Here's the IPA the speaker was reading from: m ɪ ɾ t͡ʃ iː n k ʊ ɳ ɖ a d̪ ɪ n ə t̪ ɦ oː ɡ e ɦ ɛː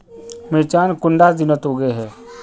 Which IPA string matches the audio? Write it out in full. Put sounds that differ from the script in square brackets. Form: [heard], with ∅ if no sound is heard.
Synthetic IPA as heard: m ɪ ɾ t͡ʃ [aː] n k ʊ ɳ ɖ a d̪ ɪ n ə t̪ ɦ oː ɡ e ɦ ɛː